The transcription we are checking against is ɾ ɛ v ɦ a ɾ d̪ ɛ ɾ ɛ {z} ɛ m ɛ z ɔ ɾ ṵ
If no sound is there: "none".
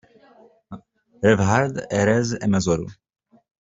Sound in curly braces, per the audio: z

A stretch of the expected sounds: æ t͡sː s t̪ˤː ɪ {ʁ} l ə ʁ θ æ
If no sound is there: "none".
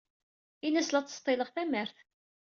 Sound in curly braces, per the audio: none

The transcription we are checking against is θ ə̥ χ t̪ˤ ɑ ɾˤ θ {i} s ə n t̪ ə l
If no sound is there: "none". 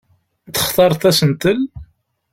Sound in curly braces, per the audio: æ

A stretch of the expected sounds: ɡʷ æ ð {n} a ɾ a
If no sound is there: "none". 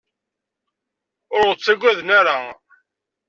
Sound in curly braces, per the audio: n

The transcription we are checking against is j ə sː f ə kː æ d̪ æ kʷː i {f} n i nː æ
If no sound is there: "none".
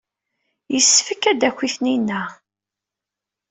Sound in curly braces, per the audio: θ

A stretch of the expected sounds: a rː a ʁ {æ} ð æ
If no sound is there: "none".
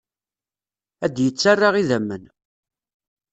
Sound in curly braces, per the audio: i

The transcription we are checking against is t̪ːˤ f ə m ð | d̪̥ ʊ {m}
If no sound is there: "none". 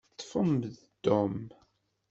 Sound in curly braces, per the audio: m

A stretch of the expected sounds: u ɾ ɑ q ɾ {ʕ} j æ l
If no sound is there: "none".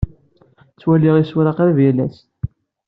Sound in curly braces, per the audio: v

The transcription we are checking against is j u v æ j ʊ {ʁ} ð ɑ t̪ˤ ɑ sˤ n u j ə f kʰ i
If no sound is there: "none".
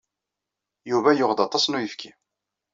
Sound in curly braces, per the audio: ʁ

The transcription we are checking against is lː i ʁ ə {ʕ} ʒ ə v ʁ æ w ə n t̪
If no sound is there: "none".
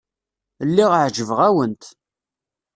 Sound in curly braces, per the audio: ʕ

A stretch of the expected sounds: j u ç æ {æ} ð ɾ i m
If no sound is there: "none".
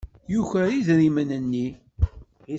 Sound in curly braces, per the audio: i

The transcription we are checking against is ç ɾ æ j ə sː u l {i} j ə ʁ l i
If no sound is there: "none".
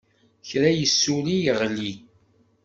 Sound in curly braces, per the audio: i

